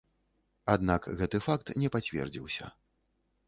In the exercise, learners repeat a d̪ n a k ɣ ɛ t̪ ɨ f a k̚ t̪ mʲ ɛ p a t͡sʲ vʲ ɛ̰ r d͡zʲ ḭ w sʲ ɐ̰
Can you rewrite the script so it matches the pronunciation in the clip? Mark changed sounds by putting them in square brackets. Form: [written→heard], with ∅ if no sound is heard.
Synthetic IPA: a d̪ n a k ɣ ɛ t̪ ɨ f a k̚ t̪ [mʲ→nʲ] ɛ p a t͡sʲ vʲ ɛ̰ r d͡zʲ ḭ w sʲ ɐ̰